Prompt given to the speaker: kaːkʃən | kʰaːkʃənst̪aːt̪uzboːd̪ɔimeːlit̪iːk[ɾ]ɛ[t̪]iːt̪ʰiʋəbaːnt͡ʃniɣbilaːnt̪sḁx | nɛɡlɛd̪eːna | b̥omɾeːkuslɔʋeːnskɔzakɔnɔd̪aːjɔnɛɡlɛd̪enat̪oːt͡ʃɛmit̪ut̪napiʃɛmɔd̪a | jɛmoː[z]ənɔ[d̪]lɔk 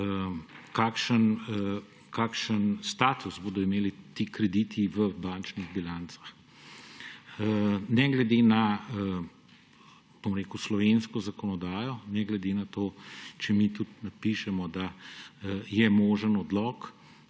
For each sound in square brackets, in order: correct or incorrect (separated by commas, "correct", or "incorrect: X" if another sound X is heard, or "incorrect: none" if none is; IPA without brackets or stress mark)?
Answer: correct, incorrect: d̪, incorrect: ʒ, correct